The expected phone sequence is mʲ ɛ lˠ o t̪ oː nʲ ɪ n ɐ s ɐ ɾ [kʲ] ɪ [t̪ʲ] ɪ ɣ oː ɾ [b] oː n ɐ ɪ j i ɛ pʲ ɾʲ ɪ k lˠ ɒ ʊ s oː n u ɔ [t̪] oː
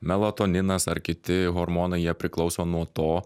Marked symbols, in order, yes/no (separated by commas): yes, yes, no, yes